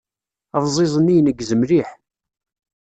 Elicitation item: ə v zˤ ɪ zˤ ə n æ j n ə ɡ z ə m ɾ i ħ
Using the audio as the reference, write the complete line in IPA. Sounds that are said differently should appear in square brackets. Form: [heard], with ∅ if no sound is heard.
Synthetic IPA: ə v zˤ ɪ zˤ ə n [i] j n ə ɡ z ə m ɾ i ħ